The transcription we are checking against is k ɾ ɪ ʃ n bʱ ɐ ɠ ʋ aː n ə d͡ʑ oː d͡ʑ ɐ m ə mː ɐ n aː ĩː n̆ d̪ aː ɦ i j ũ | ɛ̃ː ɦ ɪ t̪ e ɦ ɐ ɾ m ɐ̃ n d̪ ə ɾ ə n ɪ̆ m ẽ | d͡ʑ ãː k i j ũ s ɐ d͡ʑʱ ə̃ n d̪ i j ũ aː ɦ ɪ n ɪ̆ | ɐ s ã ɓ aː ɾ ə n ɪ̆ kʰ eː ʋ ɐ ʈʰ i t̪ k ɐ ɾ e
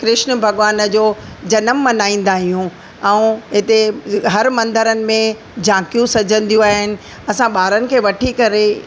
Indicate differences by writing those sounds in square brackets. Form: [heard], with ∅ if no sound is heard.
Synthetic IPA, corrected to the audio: k ɾ ɪ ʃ n bʱ ɐ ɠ ʋ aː n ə d͡ʑ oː d͡ʑ ɐ [n] ə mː ɐ n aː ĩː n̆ d̪ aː ɦ i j ũ | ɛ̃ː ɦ ɪ t̪ e ɦ ɐ ɾ m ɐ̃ n d̪ ə ɾ ə n ɪ̆ m ẽ | d͡ʑ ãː k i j ũ s ɐ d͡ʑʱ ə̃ n d̪ i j ũ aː ɦ ɪ n ɪ̆ | ɐ s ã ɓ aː ɾ ə n ɪ̆ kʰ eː ʋ ɐ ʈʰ i [∅] k ɐ ɾ e